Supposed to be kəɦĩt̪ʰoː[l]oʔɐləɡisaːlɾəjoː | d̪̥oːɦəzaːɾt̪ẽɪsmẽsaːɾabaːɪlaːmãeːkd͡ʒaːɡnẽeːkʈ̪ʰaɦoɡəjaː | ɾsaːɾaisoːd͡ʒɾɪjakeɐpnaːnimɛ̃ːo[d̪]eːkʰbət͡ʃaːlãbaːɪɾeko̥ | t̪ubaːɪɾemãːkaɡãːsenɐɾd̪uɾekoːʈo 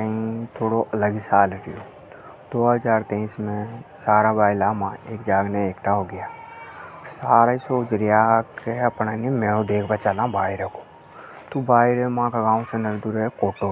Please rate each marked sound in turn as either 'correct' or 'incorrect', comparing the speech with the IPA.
incorrect: ɽ, correct

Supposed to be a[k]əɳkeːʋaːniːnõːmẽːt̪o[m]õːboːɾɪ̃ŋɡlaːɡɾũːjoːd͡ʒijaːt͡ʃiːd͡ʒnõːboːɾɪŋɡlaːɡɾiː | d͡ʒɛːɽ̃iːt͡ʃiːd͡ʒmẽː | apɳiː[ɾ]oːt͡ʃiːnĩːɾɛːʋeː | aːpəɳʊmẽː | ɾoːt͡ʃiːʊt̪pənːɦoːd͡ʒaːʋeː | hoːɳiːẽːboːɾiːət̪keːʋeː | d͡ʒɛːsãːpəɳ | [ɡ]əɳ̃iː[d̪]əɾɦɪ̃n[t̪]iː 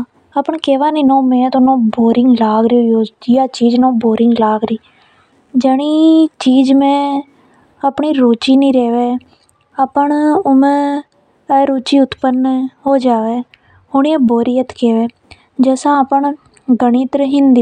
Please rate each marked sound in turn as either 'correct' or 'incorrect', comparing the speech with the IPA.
incorrect: p, incorrect: n, correct, correct, incorrect: t̪, incorrect: d̪

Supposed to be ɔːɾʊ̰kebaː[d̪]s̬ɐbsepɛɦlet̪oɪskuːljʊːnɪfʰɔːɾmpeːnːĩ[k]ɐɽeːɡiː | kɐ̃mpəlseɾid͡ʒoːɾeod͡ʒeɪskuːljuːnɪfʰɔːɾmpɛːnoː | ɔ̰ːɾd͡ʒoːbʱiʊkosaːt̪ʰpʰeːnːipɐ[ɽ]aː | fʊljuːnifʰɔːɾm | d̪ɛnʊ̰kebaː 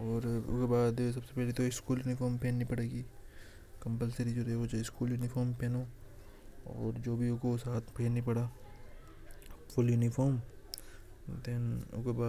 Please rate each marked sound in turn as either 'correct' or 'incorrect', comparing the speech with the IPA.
correct, incorrect: p, correct

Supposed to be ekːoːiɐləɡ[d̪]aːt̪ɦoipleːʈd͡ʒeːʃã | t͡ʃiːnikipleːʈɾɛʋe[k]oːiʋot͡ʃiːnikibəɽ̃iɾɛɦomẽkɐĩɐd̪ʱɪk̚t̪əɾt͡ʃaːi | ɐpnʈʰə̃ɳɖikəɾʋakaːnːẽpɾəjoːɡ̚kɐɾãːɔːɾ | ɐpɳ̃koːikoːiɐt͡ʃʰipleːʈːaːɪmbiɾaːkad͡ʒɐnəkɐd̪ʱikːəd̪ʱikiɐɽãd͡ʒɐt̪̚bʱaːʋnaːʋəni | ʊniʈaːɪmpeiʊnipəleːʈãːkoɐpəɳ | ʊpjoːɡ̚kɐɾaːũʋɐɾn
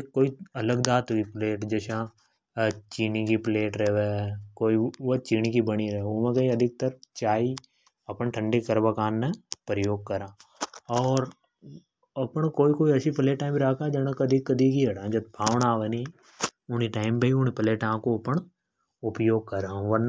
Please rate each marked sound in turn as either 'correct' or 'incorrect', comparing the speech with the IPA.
correct, correct

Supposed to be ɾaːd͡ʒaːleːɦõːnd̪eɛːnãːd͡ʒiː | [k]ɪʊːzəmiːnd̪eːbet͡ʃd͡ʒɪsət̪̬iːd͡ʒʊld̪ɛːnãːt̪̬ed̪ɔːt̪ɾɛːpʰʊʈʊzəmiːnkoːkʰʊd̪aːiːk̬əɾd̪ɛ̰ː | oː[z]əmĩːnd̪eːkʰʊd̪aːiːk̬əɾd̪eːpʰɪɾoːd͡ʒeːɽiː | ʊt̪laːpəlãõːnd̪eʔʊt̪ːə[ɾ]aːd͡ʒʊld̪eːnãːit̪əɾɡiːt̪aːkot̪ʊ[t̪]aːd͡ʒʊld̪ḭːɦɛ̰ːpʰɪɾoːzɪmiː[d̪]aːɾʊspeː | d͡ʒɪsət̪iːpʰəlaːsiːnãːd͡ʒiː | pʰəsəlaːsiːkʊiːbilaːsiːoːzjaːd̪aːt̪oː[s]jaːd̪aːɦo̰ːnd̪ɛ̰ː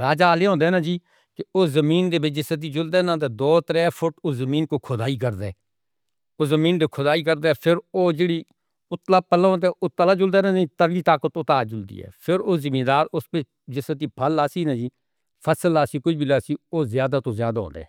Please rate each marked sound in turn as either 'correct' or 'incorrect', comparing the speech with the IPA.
correct, correct, incorrect: l, correct, correct, incorrect: z

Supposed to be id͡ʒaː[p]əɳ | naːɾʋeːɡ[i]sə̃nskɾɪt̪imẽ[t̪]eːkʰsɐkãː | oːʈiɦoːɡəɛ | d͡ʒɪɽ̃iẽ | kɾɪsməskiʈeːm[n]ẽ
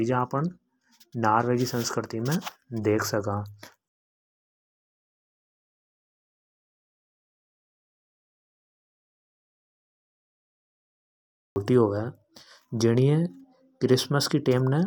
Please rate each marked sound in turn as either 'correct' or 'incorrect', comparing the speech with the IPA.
correct, correct, incorrect: d̪, correct

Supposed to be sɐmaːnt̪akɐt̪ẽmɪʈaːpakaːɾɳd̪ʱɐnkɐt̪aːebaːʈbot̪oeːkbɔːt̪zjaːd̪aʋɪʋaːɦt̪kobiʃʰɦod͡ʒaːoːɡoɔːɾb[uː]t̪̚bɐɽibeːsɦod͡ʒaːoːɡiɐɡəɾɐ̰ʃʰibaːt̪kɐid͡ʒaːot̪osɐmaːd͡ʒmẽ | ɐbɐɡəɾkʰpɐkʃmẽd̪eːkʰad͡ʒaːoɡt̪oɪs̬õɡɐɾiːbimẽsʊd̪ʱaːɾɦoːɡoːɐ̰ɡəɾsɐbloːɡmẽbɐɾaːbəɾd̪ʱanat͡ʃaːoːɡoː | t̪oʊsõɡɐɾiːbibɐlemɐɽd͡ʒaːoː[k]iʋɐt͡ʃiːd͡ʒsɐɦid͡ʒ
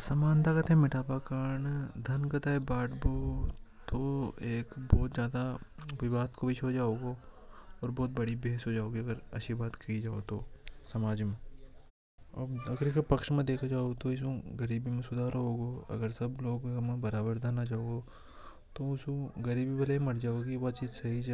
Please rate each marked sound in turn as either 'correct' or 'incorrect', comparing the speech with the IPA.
incorrect: ɔː, incorrect: ɡ

